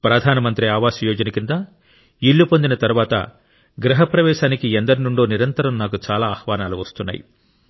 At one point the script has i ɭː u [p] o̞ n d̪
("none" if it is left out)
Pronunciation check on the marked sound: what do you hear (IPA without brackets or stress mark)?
p